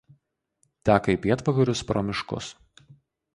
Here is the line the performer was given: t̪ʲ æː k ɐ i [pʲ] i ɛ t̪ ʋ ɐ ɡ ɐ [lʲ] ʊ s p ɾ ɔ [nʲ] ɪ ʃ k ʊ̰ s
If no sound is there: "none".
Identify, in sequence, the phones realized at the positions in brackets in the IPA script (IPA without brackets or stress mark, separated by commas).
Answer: pʲ, ɾʲ, mʲ